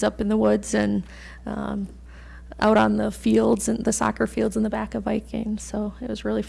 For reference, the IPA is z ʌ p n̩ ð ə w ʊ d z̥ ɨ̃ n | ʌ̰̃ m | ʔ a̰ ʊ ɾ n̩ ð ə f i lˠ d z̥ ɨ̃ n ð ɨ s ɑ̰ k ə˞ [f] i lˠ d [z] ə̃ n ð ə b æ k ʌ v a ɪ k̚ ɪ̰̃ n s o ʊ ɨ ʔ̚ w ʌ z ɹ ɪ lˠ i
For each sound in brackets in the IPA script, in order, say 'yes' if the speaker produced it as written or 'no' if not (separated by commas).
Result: yes, yes